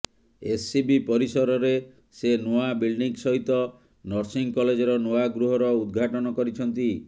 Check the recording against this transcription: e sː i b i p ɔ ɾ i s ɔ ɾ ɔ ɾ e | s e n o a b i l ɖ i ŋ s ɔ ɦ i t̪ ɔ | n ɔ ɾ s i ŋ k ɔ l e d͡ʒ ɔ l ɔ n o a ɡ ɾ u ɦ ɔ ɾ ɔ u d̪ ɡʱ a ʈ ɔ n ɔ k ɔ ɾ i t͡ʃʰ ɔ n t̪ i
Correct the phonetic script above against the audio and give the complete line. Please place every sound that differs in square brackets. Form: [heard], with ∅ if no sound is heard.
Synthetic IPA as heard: e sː i b i p ɔ ɾ i s ɔ ɾ ɔ ɾ e | s e n o a b i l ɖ i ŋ s ɔ ɦ i t̪ ɔ | n ɔ ɾ s i ŋ k ɔ l e d͡ʒ ɔ [ɾ] ɔ n o a ɡ ɾ u ɦ ɔ ɾ ɔ u d̪ ɡʱ a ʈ ɔ n ɔ k ɔ ɾ i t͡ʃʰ ɔ n t̪ i